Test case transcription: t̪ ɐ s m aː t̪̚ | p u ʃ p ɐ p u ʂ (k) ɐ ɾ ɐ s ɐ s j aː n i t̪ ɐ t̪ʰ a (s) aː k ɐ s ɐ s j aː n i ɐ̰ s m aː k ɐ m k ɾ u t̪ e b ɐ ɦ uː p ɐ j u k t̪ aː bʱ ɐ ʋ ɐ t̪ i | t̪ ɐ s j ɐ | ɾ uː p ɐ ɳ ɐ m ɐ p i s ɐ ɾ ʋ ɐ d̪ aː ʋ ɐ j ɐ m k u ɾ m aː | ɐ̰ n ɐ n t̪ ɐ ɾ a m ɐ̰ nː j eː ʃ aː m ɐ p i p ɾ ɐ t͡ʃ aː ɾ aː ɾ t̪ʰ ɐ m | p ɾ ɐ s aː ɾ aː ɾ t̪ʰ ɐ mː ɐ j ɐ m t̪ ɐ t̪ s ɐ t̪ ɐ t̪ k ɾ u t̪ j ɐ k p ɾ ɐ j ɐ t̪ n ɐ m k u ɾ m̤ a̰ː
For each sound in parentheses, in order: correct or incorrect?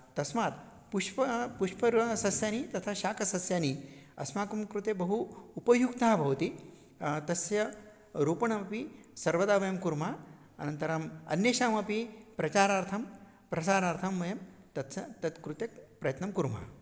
incorrect: p, incorrect: ʃ

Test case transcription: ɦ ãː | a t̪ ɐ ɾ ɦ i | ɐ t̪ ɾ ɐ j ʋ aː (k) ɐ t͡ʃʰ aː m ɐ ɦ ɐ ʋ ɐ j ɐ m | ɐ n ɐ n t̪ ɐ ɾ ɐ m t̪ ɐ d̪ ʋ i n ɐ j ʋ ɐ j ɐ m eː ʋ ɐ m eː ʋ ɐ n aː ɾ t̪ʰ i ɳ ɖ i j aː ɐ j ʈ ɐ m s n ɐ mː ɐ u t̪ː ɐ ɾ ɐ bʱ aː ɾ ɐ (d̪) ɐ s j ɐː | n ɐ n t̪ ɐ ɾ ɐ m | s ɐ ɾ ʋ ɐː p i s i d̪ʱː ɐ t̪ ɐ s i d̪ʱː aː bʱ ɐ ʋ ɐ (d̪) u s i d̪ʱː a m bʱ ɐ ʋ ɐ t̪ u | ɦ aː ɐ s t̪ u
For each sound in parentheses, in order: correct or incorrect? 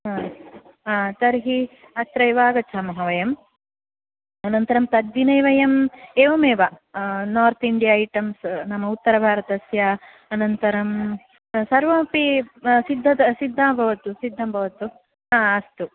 incorrect: ɡ, incorrect: t̪, incorrect: t̪

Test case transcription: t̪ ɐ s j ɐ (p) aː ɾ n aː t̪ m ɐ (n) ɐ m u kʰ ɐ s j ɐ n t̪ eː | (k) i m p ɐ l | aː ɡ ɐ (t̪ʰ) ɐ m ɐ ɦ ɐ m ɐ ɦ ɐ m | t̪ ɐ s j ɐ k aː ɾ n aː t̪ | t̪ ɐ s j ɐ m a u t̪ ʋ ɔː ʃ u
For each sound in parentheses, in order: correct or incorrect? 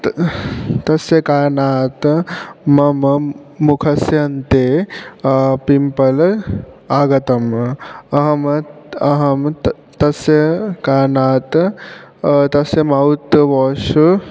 incorrect: k, incorrect: m, incorrect: p, incorrect: t̪

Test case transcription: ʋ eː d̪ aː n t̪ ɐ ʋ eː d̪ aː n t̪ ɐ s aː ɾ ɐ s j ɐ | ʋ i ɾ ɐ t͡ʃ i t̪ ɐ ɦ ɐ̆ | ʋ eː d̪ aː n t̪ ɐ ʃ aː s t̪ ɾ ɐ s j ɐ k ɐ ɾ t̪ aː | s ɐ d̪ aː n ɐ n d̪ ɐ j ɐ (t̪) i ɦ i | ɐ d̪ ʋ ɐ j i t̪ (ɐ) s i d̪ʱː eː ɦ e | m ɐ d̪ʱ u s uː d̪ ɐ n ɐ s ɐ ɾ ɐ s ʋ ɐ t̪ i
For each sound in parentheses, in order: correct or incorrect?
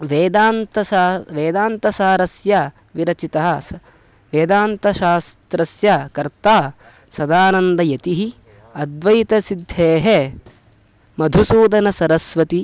correct, correct

